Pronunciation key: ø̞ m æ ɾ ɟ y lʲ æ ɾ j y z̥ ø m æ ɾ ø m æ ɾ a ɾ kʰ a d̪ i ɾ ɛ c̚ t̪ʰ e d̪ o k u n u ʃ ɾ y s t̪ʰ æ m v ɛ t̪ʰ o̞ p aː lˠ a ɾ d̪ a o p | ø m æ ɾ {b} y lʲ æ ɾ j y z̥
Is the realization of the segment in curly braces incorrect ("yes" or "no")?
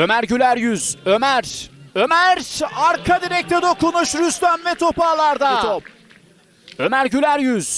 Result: yes